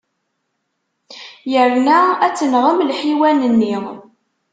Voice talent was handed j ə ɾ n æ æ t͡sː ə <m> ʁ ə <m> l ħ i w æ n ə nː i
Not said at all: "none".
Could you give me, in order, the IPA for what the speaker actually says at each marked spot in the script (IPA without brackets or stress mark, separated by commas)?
n, m